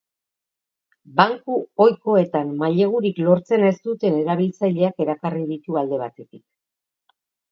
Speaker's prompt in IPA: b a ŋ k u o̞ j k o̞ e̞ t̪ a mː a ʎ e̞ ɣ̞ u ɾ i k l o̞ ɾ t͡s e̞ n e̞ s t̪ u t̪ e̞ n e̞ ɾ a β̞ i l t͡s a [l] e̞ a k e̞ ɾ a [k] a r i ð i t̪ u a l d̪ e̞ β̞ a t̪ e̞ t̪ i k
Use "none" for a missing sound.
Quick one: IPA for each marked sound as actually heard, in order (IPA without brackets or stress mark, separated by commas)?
ʎ, k